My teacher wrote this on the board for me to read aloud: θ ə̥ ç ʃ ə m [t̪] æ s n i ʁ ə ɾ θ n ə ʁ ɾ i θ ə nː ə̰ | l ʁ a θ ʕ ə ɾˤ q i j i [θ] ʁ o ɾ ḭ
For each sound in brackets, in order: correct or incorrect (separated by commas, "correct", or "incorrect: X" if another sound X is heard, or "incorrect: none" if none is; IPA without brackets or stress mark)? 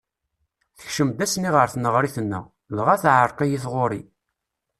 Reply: incorrect: d̪, correct